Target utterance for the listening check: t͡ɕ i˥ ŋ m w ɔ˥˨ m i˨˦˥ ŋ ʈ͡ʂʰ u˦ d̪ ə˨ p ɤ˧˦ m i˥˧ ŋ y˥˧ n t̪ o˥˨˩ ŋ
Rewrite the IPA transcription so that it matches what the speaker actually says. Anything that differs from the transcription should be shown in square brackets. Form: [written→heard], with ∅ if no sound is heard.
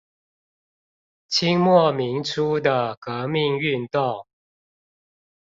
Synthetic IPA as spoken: [t͡ɕ→t͡ɕʰ] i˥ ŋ m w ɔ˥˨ m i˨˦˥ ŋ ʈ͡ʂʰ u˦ d̪ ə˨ [p→k] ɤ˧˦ m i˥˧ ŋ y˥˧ n t̪ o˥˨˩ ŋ